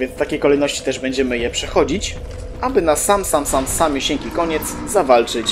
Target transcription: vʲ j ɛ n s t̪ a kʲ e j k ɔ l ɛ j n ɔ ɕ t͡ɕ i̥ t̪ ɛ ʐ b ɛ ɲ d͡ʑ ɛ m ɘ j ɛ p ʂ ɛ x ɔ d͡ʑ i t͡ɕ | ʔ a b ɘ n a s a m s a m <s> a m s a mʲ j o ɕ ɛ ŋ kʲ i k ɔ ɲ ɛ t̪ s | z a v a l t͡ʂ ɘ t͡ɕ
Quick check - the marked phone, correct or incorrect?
correct